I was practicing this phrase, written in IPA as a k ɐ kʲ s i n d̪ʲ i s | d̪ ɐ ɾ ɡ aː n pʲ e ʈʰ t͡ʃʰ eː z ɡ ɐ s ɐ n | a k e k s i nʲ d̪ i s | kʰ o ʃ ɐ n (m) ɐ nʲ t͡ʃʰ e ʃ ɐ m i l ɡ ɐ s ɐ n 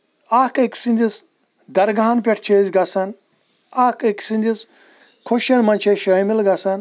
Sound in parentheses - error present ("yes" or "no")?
no